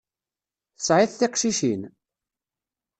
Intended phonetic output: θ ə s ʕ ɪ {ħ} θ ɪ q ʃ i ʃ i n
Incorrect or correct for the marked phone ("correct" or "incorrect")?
incorrect